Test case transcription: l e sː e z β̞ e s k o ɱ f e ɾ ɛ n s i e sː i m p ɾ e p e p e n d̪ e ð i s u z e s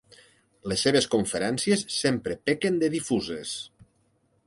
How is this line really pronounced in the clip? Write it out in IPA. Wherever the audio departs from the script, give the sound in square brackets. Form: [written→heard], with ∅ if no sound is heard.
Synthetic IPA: l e sː e [z→∅] β̞ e s k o ɱ f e ɾ ɛ n s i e sː [i→e] m p ɾ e p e [p→k] e n d̪ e ð i [s→f] u z e s